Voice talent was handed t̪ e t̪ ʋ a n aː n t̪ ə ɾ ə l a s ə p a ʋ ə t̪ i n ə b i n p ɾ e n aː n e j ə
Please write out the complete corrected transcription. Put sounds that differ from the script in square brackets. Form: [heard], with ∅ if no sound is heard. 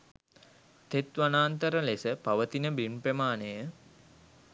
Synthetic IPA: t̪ e t̪ ʋ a n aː n t̪ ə ɾ ə l [e] s ə p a ʋ ə t̪ i n ə b i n p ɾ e [m] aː n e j ə

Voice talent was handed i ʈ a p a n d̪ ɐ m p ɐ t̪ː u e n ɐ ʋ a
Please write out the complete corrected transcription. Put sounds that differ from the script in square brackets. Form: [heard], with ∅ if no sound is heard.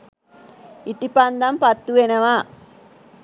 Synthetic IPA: i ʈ [i] p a n d̪ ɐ m p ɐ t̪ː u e n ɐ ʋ a

